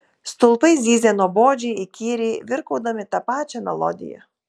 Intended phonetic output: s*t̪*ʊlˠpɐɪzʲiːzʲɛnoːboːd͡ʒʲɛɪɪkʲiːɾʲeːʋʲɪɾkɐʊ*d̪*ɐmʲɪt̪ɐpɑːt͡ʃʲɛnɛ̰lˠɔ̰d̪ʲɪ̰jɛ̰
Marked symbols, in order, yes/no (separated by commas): yes, yes